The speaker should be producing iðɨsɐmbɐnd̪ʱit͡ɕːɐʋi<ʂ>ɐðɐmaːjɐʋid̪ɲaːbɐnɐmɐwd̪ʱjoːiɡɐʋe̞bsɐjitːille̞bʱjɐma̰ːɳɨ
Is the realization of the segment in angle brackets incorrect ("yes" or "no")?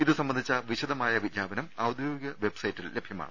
yes